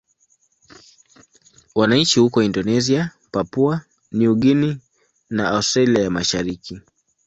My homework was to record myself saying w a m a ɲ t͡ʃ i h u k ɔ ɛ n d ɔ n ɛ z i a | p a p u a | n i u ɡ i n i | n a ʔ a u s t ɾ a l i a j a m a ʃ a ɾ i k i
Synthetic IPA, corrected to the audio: w a n a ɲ t͡ʃ i h u k ɔ i n d ɔ n ɛ z i a | p a p u a | n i u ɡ i n i | n a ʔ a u s t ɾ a l i a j a m a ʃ a ɾ i k i